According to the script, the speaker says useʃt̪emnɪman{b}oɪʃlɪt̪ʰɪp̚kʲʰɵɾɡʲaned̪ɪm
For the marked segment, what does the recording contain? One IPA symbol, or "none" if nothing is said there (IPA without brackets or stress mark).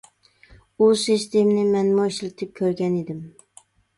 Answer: m